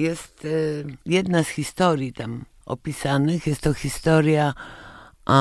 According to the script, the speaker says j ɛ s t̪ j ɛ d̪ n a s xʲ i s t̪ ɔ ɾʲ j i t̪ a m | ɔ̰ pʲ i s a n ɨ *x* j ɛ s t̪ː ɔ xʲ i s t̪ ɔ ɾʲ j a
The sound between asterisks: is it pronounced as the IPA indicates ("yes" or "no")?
yes